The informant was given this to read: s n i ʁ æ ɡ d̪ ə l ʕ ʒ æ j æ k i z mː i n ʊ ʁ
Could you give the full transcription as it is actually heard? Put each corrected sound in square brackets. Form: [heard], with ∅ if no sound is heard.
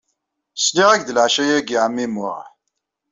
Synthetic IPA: s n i ʁ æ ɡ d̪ ə l ʕ [ʃ] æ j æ [ɡ] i [ʕ] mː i [m] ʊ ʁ